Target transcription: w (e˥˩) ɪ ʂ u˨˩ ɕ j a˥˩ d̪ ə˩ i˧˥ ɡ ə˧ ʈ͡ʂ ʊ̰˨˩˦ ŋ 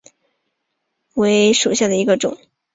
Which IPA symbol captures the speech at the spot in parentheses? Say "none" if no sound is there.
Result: e˧˥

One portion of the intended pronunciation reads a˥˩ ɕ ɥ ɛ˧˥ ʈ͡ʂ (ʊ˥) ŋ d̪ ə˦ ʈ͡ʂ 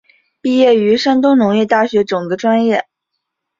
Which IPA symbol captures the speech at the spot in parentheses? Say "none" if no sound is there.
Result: ʊ˨˩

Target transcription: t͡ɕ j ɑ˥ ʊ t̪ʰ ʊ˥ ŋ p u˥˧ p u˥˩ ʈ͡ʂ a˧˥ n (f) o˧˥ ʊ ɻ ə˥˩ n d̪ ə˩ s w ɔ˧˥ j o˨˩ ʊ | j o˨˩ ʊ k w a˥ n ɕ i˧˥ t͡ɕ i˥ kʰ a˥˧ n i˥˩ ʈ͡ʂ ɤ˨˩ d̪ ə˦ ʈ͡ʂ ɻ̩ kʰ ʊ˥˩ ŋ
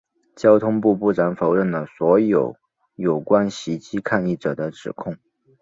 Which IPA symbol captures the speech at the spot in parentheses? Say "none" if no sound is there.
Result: f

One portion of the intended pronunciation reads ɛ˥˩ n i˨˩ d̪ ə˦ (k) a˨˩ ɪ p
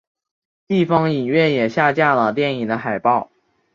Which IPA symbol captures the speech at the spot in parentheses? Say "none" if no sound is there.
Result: x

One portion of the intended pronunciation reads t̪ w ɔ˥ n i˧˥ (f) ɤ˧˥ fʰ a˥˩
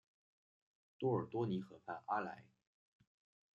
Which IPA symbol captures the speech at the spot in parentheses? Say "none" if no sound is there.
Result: x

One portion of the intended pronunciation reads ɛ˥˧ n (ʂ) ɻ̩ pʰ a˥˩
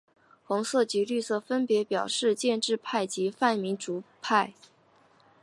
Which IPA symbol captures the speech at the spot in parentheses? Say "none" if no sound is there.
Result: ʈ͡ʂ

